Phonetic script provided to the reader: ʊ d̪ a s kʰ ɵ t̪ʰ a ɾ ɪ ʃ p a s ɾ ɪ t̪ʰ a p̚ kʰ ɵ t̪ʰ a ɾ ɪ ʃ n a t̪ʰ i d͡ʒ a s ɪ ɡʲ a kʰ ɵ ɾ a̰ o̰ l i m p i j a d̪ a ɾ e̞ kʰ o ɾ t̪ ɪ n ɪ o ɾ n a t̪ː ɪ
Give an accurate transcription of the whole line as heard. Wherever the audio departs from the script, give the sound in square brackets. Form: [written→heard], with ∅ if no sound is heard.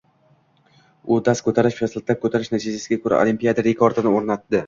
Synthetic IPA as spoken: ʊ d̪ a s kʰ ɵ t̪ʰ a ɾ ɪ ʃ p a s [ɾ→l] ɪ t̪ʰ a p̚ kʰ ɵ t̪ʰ a ɾ ɪ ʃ n a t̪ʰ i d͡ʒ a s ɪ ɡʲ a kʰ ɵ ɾ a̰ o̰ l i m p i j a d̪ a ɾ e̞ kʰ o ɾ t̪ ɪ n ɪ o ɾ n a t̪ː ɪ

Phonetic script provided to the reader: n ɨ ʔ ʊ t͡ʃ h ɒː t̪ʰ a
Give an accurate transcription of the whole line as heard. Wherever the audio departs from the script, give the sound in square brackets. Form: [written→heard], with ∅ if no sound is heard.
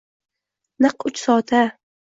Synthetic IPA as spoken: n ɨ [ʔ→q] ʊ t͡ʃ [h→s] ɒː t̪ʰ a

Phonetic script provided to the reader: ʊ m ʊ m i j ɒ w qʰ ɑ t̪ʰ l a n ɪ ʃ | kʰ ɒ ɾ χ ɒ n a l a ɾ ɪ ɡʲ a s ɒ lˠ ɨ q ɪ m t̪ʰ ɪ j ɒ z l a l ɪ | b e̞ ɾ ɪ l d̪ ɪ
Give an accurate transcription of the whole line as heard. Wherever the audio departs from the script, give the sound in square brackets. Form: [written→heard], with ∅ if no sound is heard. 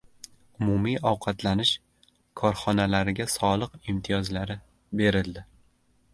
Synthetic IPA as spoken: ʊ m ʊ m i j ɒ w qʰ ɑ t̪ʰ l a n ɪ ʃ | kʰ ɒ ɾ χ ɒ n a l a ɾ ɪ ɡʲ a s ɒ lˠ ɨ q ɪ m t̪ʰ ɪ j ɒ z l a [l→ɾ] ɪ | b e̞ ɾ ɪ l d̪ ɪ

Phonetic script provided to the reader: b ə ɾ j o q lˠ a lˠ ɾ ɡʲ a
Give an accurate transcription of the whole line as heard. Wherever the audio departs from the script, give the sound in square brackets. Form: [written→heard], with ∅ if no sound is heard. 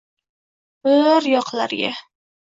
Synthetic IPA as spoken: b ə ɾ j [o→ɒ] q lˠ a [lˠ→∅] ɾ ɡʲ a

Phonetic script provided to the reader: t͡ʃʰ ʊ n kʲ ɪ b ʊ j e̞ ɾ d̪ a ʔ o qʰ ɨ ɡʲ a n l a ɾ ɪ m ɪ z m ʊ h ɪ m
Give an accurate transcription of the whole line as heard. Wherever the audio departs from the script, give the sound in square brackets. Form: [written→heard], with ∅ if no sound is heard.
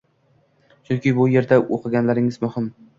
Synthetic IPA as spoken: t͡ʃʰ ʊ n kʲ ɪ b ʊ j e̞ ɾ d̪ a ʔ o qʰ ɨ ɡʲ a n l a ɾ ɪ [m→ŋ] ɪ z m ʊ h ɪ m

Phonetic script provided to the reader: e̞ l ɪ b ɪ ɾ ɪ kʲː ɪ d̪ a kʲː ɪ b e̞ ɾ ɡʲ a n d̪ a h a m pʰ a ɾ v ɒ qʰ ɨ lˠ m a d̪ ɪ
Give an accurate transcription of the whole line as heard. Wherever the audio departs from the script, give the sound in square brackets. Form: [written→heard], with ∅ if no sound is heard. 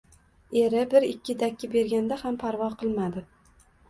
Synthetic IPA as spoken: e̞ [l→ɾ] ɪ b ɪ ɾ ɪ kʲː ɪ d̪ a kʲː ɪ b e̞ ɾ ɡʲ a n d̪ a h a m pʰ a ɾ v ɒ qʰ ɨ lˠ m a d̪ ɪ

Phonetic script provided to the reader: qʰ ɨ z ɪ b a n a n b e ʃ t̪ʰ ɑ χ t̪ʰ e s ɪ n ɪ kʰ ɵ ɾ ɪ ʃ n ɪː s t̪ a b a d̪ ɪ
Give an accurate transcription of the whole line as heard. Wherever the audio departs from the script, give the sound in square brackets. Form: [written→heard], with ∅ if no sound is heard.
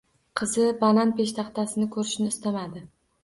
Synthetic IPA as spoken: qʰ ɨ z ɪ b a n a n [b→p] e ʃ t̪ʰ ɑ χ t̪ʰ [e→a] s ɪ n ɪ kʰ ɵ ɾ ɪ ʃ n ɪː s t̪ a [b→m] a d̪ ɪ

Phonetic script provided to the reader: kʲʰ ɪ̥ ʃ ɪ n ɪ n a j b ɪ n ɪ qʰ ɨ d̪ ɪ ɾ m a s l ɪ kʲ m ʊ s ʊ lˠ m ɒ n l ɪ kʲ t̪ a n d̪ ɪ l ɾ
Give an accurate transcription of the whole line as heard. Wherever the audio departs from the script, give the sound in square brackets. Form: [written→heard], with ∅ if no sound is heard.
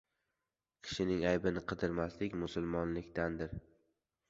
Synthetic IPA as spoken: kʲʰ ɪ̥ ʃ ɪ n ɪ [n→ŋ] a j b ɪ n ɪ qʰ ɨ d̪ ɪ ɾ m a s l ɪ kʲ m ʊ s ʊ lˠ m ɒ n l ɪ kʲ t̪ a n d̪ ɪ [l→∅] ɾ

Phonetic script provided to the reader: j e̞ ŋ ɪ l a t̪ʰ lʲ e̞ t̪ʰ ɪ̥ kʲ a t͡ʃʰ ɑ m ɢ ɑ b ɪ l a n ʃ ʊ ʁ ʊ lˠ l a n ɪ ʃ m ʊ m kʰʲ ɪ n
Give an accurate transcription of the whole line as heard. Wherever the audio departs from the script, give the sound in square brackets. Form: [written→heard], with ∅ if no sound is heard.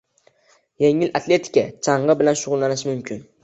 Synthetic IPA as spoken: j e̞ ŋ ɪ l a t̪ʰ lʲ e̞ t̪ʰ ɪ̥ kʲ a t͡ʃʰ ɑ [m→ɴ] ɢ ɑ b ɪ l a n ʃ ʊ ʁ ʊ lˠ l a n ɪ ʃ m ʊ m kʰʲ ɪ n

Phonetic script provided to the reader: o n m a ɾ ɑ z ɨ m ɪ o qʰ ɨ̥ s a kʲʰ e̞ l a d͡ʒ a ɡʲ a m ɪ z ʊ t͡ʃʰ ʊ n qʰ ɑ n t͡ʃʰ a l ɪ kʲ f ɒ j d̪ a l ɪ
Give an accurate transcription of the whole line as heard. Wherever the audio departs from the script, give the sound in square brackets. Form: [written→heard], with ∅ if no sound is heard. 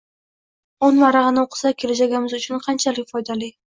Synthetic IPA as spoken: o n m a ɾ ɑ [z→ʁ] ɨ [m→n] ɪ o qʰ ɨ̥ s a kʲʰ e̞ l a d͡ʒ a ɡʲ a m ɪ z ʊ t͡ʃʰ ʊ n qʰ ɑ n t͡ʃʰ a l ɪ kʲ f ɒ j d̪ a l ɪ

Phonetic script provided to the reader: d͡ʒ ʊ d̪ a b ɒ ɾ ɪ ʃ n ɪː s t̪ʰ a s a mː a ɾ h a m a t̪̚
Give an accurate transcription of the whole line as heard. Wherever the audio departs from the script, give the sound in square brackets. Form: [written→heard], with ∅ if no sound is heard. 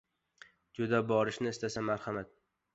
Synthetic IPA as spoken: d͡ʒ ʊ d̪ a b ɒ ɾ ɪ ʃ n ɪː s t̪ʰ a s a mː a ɾ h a m a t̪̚

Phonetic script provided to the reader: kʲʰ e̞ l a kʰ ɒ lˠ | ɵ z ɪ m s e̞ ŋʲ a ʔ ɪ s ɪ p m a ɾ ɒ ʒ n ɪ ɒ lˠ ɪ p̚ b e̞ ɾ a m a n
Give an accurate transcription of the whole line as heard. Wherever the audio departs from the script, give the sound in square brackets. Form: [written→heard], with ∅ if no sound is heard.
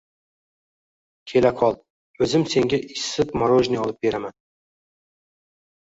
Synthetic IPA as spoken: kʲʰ e̞ l a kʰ ɒ lˠ | ɵ z ɪ m s e̞ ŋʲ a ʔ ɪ s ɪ p m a ɾ [ɒ→o] ʒ n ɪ ɒ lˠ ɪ p̚ b e̞ ɾ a m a n

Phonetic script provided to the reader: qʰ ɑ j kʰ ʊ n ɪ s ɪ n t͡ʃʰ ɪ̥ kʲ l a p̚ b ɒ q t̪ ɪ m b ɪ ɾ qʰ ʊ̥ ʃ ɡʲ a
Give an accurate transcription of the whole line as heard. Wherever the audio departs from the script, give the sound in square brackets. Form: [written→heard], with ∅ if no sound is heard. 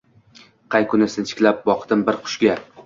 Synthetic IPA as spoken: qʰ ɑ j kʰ ʊ n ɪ s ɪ n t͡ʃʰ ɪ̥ kʲ l a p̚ b ɒ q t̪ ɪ m b ɪ ɾ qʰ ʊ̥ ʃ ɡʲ a

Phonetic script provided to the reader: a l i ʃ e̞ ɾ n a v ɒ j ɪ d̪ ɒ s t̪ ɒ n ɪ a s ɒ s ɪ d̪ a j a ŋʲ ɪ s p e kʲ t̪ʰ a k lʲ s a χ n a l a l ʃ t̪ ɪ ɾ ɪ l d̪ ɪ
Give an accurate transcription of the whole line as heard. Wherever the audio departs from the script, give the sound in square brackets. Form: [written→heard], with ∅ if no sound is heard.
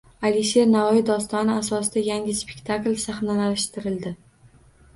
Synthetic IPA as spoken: a l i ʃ e̞ ɾ n a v ɒ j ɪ d̪ ɒ s t̪ ɒ n ɪ a s ɒ s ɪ d̪ a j a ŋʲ ɪ s p e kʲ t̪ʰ a k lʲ s a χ n a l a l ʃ t̪ ɪ ɾ ɪ l d̪ ɪ

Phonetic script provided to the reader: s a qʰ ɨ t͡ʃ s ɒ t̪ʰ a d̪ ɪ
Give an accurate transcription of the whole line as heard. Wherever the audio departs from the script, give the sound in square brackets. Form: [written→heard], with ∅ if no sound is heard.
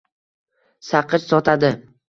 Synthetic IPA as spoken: s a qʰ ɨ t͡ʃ s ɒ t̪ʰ a d̪ ɪ

